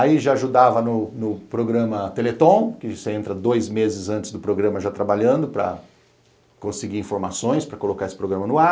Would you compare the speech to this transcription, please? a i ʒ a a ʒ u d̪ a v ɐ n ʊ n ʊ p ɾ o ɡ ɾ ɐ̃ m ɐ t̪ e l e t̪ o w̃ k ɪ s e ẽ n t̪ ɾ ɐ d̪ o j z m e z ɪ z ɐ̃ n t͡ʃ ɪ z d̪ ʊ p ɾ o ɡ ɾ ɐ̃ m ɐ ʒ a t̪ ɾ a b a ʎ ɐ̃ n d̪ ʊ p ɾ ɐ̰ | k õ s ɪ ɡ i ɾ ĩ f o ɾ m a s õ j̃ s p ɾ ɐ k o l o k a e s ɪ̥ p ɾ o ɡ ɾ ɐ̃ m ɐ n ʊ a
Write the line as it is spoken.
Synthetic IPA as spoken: a i ʒ a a ʒ u d̪ a v ɐ n ʊ n ʊ p ɾ o ɡ ɾ ɐ̃ m ɐ t̪ e l e t̪ õ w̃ k ɪ s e ẽ n t̪ ɾ ɐ d̪ o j z m e z ɪ z ɐ̃ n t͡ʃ ɪ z d̪ ʊ p ɾ o ɡ ɾ ɐ̃ m ɐ ʒ a t̪ ɾ a b a ʎ ɐ̃ n d̪ ʊ p ɾ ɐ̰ | k õ s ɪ ɡ i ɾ ĩ f o ɾ m a s õ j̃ s p ɾ ɐ k o l o k a e s ɪ̥ p ɾ o ɡ ɾ ɐ̃ m ɐ n ʊ a